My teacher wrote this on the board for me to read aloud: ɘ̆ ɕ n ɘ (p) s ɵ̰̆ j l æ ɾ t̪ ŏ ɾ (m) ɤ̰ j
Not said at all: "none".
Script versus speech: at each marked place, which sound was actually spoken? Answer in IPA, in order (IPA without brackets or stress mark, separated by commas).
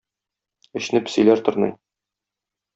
p, n